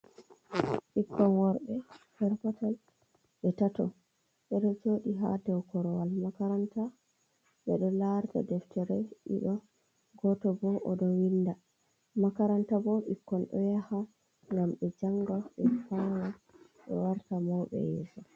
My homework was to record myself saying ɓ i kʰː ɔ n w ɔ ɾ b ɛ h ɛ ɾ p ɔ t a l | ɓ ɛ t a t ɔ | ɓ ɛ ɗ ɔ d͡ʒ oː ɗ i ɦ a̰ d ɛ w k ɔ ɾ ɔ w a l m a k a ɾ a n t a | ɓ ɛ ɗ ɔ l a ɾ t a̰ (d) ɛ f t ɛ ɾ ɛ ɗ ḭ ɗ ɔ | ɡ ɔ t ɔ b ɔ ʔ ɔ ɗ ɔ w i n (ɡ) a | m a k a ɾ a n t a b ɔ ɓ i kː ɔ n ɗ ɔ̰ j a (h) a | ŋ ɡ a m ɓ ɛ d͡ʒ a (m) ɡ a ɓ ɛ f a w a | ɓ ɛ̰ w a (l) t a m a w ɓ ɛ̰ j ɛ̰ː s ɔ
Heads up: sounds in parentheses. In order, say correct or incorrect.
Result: correct, incorrect: d, correct, incorrect: ŋ, incorrect: ɾ

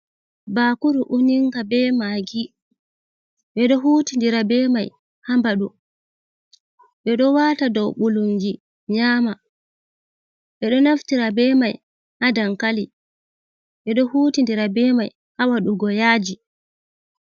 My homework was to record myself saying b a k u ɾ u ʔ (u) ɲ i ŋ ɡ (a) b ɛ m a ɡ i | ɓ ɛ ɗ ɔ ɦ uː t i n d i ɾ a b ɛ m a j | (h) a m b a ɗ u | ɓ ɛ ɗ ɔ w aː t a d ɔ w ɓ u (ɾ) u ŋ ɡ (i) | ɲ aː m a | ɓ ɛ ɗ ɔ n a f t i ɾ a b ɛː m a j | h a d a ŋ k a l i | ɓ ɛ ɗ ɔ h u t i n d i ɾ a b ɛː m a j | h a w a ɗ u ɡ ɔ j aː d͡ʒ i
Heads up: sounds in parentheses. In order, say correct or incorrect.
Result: correct, correct, correct, incorrect: l, correct

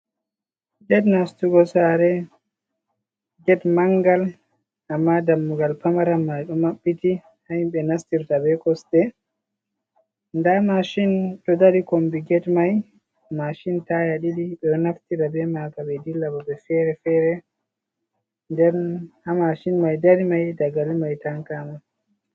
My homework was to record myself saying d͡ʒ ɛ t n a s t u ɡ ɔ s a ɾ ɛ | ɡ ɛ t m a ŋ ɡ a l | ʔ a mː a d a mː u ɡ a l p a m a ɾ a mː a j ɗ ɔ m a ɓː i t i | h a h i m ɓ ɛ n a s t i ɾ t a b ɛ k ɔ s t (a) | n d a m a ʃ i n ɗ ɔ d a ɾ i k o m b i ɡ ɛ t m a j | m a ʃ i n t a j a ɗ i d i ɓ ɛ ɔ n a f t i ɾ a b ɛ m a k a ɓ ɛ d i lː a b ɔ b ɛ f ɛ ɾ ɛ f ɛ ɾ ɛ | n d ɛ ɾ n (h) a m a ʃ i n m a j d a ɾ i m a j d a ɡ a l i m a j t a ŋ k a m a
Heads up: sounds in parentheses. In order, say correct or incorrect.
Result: incorrect: ɛ, correct

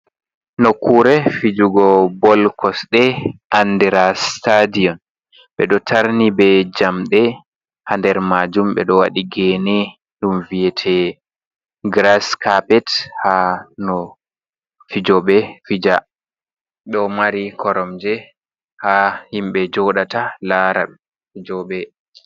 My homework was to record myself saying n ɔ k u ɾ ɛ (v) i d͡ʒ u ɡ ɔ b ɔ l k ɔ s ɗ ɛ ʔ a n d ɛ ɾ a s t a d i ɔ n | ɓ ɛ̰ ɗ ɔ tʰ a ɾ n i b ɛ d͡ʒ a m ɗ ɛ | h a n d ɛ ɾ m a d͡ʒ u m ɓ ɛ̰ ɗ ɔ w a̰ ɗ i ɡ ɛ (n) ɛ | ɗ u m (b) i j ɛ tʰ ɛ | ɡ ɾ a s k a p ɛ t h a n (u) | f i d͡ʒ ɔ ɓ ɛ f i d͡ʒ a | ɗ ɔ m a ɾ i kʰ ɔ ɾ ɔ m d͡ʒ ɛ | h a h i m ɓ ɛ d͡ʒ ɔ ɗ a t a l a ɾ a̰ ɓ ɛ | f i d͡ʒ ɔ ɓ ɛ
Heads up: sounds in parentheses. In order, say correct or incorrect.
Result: incorrect: f, correct, incorrect: v, incorrect: ɔ

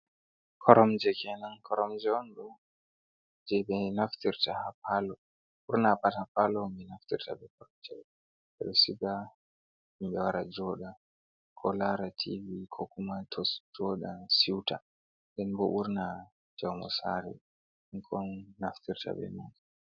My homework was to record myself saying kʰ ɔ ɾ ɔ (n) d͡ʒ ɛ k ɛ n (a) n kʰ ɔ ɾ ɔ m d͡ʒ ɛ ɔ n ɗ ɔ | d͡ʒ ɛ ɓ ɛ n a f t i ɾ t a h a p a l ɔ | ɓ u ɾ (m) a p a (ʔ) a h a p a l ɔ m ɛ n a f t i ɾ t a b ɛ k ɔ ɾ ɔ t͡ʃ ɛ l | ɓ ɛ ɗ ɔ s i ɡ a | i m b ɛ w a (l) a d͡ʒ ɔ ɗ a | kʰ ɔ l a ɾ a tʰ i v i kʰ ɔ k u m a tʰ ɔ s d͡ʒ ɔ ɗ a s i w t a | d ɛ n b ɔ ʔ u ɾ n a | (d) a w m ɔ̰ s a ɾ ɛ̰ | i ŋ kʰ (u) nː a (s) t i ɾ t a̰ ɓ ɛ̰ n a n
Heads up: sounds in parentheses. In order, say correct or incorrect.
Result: incorrect: m, correct, incorrect: n, incorrect: t, incorrect: ɾ, incorrect: d͡ʒ, incorrect: ɔ, incorrect: f

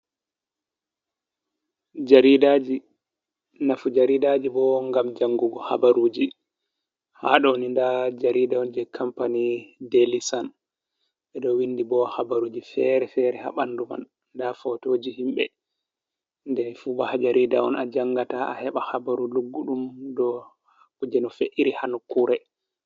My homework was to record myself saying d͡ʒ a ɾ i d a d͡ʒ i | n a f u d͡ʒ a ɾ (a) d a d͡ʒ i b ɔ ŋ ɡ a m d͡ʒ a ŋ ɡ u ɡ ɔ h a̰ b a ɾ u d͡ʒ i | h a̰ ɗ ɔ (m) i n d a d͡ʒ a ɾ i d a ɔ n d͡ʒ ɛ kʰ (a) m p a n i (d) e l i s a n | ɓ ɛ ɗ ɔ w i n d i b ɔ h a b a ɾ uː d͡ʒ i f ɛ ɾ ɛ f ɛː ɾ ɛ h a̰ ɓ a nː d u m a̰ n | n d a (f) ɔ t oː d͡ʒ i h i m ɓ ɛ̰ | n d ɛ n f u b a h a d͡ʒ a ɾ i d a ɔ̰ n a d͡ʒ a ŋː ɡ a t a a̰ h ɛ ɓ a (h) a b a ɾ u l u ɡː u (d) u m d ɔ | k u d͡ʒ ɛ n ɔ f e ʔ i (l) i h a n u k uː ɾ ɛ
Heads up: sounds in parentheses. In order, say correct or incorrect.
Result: incorrect: i, incorrect: n, correct, correct, correct, correct, incorrect: ɗ, incorrect: ɾ

